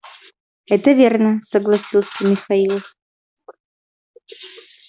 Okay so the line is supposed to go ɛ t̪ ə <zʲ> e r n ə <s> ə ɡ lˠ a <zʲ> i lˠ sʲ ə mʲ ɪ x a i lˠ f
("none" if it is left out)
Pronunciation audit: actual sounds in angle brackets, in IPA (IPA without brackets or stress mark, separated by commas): vʲ, s, sʲ